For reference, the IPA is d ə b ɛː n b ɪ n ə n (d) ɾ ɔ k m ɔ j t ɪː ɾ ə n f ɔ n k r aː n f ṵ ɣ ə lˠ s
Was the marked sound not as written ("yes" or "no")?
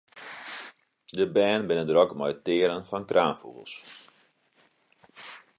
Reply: no